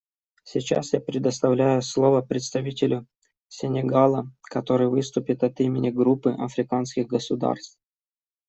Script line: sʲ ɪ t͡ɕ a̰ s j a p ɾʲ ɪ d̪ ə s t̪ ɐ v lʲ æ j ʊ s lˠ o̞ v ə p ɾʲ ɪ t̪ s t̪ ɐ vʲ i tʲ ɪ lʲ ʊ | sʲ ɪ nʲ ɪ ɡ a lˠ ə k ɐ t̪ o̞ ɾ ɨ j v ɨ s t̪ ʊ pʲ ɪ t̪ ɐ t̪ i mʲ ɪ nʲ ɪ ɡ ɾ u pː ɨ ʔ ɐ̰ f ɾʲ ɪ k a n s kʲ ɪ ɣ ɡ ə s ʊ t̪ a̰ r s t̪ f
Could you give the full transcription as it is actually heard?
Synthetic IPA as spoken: sʲ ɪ t͡ɕ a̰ s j a p ɾʲ ɪ d̪ ə s t̪ ɐ v lʲ æ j ʊ s lˠ o̞ v ə p ɾʲ ɪ t̪ s t̪ ɐ vʲ i tʲ ɪ lʲ ʊ | sʲ ɪ nʲ ɪ ɡ a lˠ ə k ɐ t̪ o̞ ɾ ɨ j v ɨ s t̪ ʊ pʲ ɪ t̪ ɐ t̪ i mʲ ɪ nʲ ɪ ɡ ɾ u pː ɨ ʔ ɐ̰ f ɾʲ ɪ k a n s kʲ ɪ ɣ ɡ ə s ʊ d̪ a̰ r s t̪ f